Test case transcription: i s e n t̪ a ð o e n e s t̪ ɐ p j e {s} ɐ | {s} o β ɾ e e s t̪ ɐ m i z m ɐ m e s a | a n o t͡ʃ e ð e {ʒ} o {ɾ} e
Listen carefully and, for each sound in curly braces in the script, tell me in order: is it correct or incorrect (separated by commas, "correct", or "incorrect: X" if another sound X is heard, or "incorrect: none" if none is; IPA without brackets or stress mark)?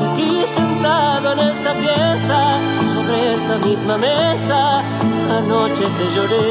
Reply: correct, correct, correct, correct